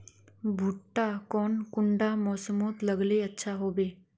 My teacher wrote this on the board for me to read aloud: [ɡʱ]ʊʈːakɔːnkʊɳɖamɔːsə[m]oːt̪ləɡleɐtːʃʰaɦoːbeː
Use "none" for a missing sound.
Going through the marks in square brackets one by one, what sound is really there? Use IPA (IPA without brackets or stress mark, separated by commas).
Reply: bʱ, m